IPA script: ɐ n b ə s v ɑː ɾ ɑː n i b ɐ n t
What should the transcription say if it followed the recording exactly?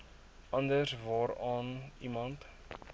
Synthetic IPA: ɐ n d ə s v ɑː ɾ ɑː n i m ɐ n t